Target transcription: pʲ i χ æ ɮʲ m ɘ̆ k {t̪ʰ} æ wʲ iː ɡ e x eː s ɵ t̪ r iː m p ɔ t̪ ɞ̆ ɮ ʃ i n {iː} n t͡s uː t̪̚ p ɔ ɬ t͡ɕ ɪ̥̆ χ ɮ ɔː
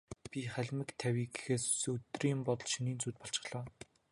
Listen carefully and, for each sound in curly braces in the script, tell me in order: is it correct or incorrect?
correct, correct

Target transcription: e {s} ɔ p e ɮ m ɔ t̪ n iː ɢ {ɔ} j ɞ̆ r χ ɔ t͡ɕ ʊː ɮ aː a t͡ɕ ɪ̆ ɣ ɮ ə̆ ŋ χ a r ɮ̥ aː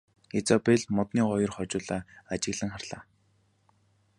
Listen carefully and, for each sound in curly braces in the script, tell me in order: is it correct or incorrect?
incorrect: t͡s, correct

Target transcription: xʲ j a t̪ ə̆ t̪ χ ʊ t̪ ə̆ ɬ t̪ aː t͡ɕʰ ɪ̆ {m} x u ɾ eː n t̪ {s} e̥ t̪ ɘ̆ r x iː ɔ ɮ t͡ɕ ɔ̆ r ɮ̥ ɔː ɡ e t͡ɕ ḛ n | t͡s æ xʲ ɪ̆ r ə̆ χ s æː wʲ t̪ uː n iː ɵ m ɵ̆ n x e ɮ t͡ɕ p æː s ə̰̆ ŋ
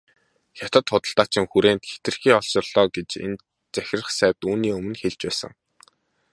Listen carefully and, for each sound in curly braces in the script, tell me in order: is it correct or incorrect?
incorrect: ŋ, incorrect: x

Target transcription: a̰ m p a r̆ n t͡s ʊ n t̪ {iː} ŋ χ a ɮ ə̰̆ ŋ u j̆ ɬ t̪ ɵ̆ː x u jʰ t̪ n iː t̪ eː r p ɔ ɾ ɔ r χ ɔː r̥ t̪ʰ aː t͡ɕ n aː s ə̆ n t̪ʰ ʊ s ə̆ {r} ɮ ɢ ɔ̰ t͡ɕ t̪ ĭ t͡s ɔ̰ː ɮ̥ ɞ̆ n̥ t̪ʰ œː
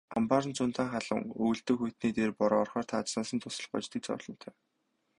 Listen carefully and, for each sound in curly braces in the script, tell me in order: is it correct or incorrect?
incorrect: aː, incorrect: none

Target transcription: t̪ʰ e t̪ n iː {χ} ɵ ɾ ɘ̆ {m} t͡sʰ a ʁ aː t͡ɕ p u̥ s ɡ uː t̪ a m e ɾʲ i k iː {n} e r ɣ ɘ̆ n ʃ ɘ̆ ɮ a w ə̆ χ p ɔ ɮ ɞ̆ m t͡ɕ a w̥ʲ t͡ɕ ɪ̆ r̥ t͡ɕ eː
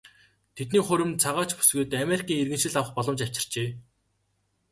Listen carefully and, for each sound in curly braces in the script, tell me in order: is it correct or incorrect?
correct, correct, incorrect: ŋ

